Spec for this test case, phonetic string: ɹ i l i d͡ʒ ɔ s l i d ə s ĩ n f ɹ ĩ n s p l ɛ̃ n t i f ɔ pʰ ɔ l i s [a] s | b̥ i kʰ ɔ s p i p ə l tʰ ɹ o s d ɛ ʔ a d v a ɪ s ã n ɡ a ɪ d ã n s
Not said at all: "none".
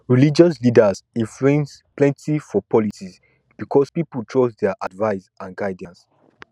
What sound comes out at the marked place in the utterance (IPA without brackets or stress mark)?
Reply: i